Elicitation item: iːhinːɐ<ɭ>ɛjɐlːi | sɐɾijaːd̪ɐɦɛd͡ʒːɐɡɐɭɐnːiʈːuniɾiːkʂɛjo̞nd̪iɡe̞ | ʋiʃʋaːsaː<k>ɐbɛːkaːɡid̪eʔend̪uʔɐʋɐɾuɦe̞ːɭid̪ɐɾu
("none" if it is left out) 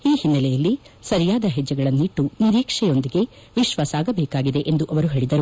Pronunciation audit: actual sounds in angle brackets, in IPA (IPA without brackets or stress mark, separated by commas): l, ɡ